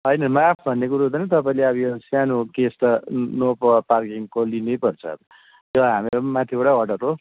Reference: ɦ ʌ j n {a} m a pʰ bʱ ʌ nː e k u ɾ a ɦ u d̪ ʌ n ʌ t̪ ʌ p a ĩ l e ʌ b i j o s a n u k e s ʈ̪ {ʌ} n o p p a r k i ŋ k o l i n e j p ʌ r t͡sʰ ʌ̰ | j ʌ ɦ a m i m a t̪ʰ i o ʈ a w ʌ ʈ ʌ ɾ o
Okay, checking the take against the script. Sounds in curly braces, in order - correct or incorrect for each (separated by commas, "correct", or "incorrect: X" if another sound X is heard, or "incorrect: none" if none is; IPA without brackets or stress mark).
incorrect: ʌ, correct